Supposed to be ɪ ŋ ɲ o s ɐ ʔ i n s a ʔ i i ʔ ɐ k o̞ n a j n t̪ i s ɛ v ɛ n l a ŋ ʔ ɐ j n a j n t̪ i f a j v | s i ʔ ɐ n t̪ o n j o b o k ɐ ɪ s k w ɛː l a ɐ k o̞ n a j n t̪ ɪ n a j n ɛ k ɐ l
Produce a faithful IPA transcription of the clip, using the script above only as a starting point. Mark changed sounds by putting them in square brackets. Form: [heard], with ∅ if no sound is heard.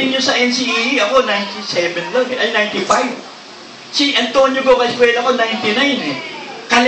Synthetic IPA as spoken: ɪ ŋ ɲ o s ɐ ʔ [ɛ] n s [i] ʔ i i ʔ ɐ k o̞ n a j n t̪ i s ɛ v ɛ n l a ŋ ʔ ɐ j n a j n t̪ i f a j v | s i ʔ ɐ n t̪ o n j o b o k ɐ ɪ s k w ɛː l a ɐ k o̞ n a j n t̪ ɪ n a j n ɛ k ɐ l